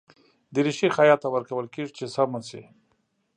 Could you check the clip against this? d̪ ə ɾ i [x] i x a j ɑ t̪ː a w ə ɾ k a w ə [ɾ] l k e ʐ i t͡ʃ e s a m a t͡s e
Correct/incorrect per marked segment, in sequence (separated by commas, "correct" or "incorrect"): incorrect, incorrect